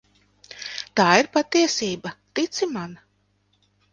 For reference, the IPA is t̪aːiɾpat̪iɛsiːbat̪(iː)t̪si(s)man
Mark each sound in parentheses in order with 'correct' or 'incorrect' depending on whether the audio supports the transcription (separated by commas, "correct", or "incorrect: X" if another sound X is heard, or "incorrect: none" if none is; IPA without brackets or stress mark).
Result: incorrect: i, incorrect: none